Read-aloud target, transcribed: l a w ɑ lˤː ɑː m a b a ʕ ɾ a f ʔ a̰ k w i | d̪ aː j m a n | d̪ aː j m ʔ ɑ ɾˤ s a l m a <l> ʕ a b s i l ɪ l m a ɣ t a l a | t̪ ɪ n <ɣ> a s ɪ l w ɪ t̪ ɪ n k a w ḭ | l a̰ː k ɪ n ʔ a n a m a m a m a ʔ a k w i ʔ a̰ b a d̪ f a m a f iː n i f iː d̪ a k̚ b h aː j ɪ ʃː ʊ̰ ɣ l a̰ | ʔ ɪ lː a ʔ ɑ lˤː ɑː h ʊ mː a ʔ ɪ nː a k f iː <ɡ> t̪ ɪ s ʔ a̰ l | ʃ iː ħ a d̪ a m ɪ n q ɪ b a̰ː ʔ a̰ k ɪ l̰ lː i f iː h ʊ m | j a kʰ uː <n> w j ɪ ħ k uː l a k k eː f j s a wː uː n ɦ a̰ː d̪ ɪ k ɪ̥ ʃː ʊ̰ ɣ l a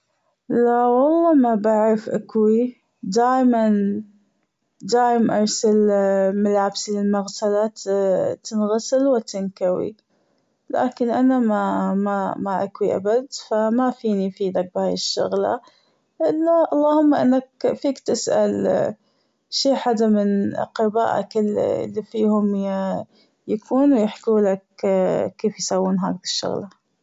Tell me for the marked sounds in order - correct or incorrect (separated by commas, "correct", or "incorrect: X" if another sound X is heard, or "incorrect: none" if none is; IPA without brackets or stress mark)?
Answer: correct, correct, incorrect: k, correct